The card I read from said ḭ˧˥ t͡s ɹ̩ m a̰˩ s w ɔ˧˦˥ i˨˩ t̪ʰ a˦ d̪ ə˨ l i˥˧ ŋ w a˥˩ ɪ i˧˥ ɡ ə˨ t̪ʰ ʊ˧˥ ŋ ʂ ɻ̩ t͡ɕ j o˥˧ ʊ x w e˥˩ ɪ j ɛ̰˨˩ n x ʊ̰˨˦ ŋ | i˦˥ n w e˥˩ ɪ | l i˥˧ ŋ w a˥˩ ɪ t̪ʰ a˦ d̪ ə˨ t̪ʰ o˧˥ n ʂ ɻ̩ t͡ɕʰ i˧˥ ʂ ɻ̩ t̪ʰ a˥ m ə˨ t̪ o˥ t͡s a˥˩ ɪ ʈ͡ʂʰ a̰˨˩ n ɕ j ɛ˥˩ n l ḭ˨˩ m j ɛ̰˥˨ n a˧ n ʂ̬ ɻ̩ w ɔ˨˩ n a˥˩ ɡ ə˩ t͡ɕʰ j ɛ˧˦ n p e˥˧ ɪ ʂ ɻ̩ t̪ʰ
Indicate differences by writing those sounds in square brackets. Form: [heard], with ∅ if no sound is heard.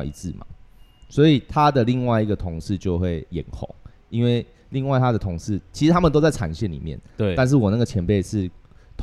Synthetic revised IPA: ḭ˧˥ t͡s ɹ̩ m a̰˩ s w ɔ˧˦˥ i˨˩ t̪ʰ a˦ d̪ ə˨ l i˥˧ ŋ w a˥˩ ɪ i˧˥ ɡ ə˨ t̪ʰ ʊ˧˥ ŋ ʂ ɻ̩ t͡ɕ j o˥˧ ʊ x w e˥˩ ɪ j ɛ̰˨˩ n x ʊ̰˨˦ ŋ | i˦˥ n w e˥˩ ɪ | l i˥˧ ŋ w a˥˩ ɪ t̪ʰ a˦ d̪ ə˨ t̪ʰ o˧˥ [ŋ] ʂ ɻ̩ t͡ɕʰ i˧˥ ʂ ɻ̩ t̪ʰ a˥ m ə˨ t̪ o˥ t͡s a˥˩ ɪ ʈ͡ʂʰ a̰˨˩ n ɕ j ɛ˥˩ n l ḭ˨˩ m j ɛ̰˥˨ n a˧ n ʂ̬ ɻ̩ w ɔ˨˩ n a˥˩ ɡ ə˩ t͡ɕʰ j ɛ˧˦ n p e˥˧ ɪ ʂ ɻ̩ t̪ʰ